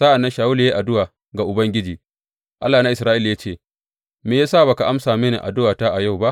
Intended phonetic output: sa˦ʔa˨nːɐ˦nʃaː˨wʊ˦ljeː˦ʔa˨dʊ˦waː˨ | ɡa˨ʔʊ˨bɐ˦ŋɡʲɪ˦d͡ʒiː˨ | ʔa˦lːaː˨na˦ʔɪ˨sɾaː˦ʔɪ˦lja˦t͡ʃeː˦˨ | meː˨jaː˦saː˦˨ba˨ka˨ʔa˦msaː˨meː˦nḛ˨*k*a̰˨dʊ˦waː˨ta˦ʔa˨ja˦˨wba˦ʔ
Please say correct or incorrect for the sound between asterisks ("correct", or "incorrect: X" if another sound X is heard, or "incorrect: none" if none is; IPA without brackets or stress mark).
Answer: incorrect: ʔ